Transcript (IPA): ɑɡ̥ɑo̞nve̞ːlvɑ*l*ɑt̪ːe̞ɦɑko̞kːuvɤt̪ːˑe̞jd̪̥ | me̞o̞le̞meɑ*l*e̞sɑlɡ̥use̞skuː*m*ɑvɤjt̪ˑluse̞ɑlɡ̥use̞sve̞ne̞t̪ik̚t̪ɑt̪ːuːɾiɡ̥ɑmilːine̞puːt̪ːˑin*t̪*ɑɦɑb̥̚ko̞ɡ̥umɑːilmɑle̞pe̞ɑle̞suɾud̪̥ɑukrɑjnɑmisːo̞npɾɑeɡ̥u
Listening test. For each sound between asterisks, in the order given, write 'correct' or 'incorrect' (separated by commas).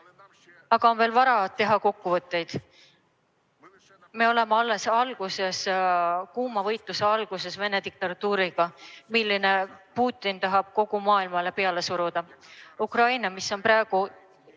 incorrect, incorrect, correct, correct